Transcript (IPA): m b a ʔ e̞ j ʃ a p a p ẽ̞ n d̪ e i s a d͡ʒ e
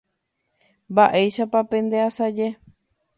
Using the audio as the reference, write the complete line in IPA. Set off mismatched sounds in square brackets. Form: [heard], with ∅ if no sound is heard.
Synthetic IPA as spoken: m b a ʔ e̞ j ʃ a p a p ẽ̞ n d̪ e [a] s a d͡ʒ e